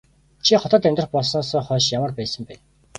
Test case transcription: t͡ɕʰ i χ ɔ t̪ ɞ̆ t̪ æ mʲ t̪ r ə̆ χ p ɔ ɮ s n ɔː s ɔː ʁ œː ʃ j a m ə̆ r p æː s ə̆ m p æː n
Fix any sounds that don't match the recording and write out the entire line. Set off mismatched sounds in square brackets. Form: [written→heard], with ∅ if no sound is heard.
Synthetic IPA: t͡ɕʰ i χ ɔ t̪ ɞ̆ t̪ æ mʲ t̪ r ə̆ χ p ɔ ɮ s n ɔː s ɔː [ʁ→χ] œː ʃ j a m ə̆ r p æː s ə̆ m p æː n